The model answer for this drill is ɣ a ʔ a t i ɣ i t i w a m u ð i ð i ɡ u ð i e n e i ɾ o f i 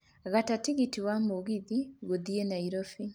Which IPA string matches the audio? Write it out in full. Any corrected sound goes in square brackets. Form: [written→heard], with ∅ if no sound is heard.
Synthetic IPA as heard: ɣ a [ʔ→t] a t i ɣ i t i w a m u [ð→ɣ] i ð i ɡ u ð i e n [e→a] i ɾ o f i